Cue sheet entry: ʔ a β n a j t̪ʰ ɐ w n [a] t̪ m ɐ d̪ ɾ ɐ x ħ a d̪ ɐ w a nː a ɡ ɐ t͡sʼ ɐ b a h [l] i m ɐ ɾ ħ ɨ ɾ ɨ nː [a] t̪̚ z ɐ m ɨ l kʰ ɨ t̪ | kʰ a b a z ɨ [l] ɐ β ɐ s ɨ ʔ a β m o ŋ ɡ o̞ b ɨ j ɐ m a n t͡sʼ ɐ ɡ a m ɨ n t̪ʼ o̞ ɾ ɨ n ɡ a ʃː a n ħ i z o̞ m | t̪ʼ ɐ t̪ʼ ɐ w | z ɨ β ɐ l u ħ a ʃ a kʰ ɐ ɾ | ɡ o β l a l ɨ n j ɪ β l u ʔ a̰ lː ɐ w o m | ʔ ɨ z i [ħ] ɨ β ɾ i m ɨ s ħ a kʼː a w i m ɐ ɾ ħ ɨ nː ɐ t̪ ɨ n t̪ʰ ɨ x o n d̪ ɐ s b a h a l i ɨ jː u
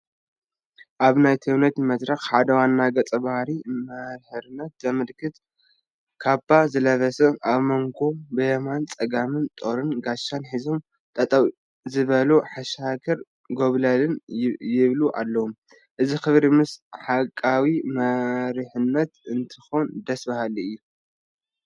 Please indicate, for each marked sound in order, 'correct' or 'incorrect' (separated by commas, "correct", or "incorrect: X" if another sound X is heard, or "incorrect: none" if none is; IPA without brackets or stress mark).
incorrect: ɐ, incorrect: ɾ, incorrect: ɐ, correct, incorrect: x